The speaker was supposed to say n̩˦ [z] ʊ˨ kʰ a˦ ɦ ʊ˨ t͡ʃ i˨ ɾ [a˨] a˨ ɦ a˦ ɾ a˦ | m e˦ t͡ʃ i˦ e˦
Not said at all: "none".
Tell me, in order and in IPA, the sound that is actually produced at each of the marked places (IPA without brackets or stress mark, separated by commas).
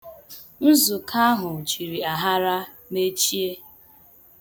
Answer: z, i˨